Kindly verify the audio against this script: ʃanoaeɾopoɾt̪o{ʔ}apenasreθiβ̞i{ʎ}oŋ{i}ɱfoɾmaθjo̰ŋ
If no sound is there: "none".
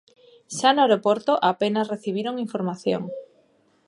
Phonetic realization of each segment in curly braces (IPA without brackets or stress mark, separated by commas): ʔ, ɾ, i